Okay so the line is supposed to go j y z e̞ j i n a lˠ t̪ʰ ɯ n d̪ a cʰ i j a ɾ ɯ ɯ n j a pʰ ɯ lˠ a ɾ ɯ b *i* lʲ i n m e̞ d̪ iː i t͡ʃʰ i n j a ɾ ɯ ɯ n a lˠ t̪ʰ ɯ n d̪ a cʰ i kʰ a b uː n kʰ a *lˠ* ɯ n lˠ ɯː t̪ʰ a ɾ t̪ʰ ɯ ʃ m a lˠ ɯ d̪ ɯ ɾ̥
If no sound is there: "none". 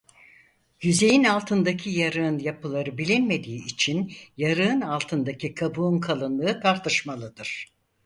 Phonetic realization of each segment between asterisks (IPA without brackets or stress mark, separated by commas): i, lˠ